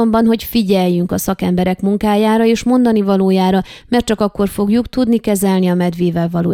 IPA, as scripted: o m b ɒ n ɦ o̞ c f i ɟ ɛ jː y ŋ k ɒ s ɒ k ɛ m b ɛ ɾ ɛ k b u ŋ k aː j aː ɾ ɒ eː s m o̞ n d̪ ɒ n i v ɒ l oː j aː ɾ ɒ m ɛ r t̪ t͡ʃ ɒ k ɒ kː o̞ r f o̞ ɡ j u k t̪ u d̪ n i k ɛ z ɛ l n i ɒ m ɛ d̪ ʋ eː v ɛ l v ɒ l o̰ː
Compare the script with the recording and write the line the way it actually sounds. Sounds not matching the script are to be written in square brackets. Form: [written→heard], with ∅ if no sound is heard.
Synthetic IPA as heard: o m b ɒ n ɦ o̞ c f i ɟ ɛ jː y ŋ k ɒ s ɒ k ɛ m b ɛ ɾ ɛ k [b→m] u ŋ k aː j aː ɾ ɒ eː [s→ʃ] m o̞ n d̪ ɒ n i v ɒ l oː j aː ɾ ɒ m ɛ r t̪ t͡ʃ ɒ k ɒ kː o̞ r f o̞ ɡ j u k t̪ u d̪ n i k ɛ z ɛ l n i ɒ m ɛ d̪ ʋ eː v ɛ l v ɒ l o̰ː